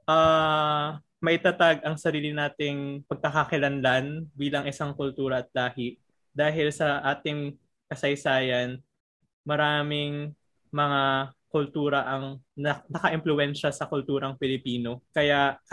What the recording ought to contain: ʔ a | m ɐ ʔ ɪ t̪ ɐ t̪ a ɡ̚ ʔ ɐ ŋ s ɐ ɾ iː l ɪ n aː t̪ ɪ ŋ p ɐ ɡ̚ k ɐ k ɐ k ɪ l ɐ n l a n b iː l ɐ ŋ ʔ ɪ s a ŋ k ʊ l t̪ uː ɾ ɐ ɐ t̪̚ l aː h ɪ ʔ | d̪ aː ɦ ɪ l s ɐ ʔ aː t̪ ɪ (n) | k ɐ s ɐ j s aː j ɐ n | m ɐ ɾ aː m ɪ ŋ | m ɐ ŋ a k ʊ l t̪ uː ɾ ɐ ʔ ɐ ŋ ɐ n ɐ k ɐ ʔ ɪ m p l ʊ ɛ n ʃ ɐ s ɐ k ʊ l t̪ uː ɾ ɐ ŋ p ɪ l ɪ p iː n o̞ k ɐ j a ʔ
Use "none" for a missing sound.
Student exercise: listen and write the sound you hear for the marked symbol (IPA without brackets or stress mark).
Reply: ŋ